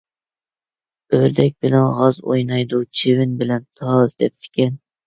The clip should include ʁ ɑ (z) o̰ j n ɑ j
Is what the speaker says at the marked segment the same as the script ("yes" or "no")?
yes